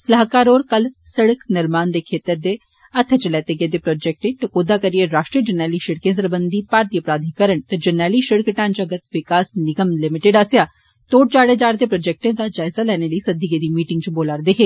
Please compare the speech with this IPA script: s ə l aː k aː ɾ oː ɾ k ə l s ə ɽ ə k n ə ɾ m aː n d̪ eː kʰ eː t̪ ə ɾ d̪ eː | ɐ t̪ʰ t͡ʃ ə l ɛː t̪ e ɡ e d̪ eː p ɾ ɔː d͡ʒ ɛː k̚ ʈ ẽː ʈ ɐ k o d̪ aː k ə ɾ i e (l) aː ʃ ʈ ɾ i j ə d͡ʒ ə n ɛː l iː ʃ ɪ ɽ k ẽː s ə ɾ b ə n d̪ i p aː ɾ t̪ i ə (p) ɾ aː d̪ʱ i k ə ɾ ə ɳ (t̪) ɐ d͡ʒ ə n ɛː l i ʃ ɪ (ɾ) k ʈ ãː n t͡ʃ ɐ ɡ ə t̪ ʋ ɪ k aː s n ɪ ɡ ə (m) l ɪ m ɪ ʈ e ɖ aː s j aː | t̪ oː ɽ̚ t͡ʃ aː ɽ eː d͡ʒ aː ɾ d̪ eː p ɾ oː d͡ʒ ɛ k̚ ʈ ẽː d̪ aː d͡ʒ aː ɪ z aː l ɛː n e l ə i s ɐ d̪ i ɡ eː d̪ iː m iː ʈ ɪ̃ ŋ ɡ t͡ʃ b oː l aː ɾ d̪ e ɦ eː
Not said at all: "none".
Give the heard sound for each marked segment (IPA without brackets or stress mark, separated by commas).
ɾ, p, t̪, ɽ, m